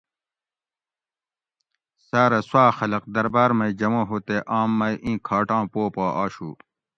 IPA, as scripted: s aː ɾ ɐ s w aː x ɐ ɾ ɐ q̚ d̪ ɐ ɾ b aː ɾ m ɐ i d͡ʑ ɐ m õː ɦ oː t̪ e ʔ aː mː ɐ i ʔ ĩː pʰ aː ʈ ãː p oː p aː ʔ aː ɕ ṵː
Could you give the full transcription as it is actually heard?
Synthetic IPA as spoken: s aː ɾ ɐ s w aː x ɐ l ɐ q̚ d̪ ɐ ɾ b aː ɾ m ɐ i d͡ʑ ɐ m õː ɦ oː t̪ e ʔ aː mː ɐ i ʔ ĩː kʰ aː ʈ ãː p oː p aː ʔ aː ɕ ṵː